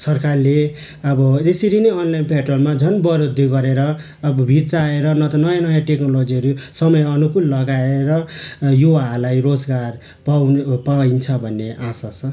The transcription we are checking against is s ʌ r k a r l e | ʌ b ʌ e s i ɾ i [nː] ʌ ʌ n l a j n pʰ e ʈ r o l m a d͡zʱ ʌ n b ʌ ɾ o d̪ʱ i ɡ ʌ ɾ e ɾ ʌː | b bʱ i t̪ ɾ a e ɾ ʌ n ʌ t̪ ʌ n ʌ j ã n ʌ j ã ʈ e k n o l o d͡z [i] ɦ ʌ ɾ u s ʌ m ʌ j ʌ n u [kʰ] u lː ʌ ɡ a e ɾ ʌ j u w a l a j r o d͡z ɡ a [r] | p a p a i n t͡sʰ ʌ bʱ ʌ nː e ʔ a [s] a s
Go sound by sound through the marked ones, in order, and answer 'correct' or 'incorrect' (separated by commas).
incorrect, correct, incorrect, correct, correct